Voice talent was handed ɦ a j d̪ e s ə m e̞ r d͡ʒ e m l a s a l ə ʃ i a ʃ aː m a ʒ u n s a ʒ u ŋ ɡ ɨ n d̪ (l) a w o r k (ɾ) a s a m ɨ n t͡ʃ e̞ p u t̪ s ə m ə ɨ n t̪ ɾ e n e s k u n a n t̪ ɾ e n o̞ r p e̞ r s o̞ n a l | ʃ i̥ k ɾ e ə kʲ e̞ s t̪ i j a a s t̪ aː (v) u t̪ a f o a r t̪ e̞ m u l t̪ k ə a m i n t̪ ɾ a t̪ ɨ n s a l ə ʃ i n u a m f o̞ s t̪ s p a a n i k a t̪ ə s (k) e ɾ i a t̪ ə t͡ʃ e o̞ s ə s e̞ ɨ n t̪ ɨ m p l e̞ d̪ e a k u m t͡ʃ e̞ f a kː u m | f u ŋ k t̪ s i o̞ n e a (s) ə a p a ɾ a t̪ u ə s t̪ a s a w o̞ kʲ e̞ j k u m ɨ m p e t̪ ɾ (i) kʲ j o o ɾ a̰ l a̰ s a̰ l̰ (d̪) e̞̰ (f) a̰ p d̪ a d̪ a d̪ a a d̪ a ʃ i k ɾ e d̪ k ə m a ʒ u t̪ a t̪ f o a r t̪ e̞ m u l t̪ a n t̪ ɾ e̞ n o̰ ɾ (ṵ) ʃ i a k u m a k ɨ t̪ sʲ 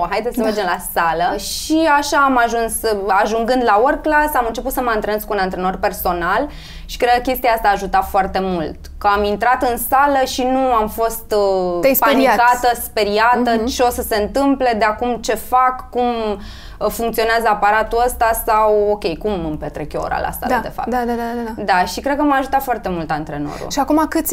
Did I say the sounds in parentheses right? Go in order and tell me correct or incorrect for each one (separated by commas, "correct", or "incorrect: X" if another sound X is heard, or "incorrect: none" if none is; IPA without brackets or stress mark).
correct, incorrect: l, incorrect: ʒ, incorrect: p, incorrect: z, incorrect: e, correct, correct, correct